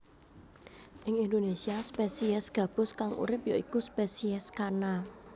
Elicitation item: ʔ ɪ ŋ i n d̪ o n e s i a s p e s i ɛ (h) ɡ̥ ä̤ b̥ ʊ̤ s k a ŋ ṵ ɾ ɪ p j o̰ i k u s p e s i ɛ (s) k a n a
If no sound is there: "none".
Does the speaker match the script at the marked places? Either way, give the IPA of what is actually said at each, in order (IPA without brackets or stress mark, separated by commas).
s, s